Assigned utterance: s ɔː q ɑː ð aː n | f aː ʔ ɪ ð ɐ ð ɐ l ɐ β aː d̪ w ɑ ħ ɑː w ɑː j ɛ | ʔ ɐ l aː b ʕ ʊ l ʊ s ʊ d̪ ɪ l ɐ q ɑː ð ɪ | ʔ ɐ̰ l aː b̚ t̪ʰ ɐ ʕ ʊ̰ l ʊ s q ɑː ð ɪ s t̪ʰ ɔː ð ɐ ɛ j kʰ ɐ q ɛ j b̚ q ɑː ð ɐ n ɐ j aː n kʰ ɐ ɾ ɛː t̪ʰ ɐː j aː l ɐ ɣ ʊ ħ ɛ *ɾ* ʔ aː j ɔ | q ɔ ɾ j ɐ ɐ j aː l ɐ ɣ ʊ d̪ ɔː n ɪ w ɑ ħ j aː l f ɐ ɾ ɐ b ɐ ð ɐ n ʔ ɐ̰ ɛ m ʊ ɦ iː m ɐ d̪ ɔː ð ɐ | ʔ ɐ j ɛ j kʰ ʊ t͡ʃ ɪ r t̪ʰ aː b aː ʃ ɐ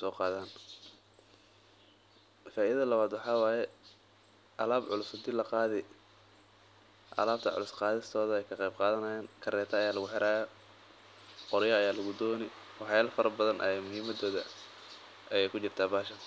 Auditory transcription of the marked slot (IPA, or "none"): ɾ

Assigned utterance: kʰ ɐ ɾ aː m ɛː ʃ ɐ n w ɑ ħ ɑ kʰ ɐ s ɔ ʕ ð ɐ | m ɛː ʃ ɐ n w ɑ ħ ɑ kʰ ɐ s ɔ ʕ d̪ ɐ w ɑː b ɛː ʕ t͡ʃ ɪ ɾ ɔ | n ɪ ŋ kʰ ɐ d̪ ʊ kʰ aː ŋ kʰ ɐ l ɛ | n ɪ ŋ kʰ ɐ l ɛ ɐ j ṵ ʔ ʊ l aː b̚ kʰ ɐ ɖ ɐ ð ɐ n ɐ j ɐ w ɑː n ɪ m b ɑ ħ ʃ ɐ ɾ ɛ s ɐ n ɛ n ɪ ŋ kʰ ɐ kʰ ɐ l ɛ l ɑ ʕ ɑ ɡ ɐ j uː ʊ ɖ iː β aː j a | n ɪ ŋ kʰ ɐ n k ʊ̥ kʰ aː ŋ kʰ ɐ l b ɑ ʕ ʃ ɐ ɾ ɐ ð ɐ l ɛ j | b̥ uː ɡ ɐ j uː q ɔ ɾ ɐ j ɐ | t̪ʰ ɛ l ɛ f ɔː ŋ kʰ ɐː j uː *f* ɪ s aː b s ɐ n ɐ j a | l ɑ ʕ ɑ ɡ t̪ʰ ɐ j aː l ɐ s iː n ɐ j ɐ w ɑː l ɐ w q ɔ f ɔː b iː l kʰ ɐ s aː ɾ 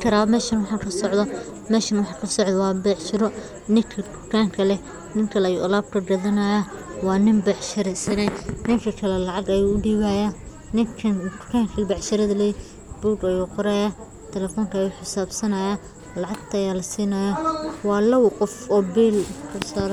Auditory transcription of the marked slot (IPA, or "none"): ħ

